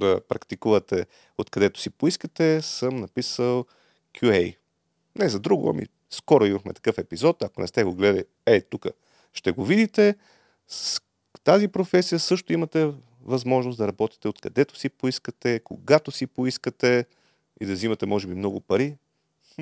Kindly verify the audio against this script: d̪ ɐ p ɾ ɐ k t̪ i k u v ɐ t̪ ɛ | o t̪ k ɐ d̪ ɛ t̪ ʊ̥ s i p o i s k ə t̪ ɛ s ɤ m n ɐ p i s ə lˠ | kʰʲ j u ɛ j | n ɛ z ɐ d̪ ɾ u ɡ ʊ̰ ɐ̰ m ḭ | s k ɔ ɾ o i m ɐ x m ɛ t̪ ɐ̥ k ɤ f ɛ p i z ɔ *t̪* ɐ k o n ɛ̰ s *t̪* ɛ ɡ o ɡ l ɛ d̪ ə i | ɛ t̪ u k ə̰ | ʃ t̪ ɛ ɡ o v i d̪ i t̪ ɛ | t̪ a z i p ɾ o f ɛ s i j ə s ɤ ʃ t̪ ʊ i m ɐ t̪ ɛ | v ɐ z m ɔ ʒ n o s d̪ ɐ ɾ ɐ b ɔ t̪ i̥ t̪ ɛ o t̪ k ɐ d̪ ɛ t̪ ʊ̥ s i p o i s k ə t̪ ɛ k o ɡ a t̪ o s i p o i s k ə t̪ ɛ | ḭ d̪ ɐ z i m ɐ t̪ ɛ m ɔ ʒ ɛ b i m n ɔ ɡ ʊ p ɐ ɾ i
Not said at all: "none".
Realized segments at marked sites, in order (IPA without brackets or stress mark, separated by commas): t̪, t̪